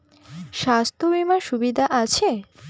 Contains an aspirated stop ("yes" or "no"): yes